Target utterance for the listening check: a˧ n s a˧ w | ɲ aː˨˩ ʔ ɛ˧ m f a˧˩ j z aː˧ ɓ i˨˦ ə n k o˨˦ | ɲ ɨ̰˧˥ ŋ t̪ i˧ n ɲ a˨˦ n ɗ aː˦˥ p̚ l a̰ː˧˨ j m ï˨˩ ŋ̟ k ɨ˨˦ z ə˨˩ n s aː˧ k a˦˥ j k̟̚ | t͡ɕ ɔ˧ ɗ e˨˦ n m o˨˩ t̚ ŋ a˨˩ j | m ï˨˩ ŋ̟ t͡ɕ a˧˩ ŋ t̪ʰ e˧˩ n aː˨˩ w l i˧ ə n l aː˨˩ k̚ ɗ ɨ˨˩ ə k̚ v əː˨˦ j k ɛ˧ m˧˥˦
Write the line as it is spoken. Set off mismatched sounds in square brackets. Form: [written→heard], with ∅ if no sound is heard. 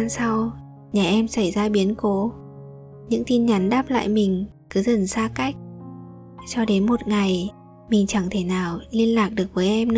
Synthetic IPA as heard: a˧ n s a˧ w | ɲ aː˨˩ ʔ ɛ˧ m [f→s] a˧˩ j z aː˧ ɓ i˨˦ ə n k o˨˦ | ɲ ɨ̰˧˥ ŋ t̪ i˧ n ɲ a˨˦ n ɗ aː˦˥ p̚ l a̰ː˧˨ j m ï˨˩ ŋ̟ k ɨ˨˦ z ə˨˩ n s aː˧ k a˦˥ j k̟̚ | t͡ɕ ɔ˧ ɗ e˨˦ n m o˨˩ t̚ ŋ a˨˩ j | m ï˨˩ ŋ̟ t͡ɕ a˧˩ ŋ t̪ʰ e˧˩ n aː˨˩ w l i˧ ə n l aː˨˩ k̚ ɗ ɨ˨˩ ə k̚ v əː˨˦ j [k→ʔ] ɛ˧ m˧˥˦